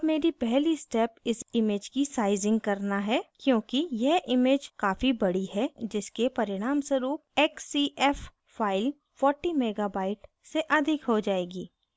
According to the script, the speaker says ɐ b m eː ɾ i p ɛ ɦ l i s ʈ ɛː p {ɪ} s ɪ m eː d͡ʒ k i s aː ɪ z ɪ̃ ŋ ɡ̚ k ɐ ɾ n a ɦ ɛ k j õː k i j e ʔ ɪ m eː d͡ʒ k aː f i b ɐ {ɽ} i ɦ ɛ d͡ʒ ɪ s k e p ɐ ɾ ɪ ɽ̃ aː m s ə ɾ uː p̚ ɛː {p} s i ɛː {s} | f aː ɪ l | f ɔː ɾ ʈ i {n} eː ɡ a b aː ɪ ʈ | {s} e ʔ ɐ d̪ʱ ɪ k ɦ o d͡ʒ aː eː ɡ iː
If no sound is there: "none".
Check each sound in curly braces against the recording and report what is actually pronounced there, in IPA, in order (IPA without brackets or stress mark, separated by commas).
ɪ, ɽ, k, f, m, s